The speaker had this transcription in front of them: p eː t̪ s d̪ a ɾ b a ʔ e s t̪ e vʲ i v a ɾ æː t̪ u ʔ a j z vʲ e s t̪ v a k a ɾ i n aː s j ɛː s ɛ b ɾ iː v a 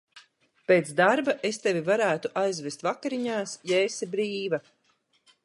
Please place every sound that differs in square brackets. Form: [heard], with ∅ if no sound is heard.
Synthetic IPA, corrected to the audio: p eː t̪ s d̪ a ɾ b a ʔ e s t̪ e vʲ i v a ɾ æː t̪ u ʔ a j z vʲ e s t̪ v a k a ɾ i [ɲ] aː s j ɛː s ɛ b ɾ iː v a